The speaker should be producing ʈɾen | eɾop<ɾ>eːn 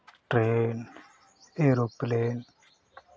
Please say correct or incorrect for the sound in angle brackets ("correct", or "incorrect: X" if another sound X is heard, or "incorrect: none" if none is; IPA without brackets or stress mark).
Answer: incorrect: l